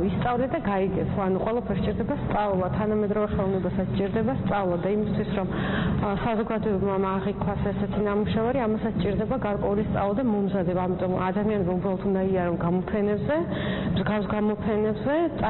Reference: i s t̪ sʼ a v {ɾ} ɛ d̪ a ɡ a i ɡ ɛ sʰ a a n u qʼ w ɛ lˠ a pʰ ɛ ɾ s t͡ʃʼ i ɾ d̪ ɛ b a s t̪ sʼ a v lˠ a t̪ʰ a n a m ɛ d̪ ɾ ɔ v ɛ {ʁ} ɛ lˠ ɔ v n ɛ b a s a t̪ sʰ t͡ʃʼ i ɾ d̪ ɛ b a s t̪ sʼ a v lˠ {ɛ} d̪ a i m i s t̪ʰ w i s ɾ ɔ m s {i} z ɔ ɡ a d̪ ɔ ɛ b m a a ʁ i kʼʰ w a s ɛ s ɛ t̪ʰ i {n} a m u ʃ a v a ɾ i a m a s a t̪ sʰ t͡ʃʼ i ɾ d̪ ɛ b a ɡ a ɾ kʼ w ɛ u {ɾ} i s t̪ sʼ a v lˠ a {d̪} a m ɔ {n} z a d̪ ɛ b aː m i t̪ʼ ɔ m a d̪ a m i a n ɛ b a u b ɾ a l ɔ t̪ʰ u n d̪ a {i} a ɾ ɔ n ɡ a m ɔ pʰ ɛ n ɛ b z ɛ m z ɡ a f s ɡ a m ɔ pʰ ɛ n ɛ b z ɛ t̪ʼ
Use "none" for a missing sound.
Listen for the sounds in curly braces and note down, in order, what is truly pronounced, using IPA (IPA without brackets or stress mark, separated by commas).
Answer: l, χ, a, a, n, l, d̪, m, i